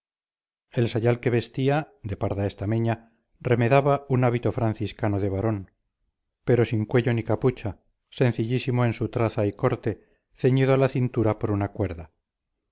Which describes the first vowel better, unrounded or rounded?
unrounded